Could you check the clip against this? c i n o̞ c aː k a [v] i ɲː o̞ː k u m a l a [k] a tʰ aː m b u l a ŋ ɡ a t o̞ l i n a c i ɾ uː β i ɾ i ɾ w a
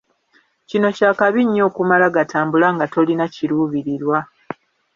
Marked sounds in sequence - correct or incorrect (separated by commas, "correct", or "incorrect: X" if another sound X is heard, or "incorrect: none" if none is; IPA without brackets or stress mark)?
incorrect: β, incorrect: ɡ